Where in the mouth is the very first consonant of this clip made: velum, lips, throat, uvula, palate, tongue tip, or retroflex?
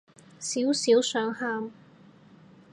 tongue tip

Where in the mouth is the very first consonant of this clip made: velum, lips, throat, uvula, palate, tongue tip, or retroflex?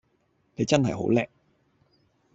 tongue tip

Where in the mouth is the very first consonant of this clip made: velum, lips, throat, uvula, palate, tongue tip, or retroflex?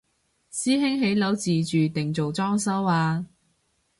tongue tip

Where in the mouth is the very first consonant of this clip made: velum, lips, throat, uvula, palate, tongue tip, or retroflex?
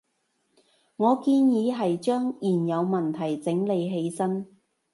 velum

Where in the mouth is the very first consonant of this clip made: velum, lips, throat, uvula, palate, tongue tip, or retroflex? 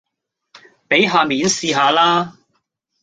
lips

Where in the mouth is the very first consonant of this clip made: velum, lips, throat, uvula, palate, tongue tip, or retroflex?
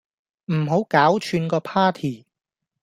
lips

